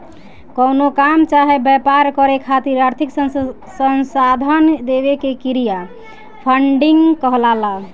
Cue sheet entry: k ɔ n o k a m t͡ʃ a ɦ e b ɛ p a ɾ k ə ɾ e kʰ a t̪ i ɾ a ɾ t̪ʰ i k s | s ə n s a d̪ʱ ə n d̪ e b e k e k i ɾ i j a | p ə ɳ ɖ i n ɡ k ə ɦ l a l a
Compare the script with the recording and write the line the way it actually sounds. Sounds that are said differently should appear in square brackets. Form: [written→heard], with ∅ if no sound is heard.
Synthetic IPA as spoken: k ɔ n o k a m t͡ʃ a ɦ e b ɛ p a ɾ k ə ɾ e kʰ a t̪ i ɾ a ɾ t̪ʰ i k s | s ə n s a d̪ʱ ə n d̪ e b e k e k i ɾ i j a | [p→pʰ] ə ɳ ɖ i [n→ŋ] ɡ k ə ɦ l a l a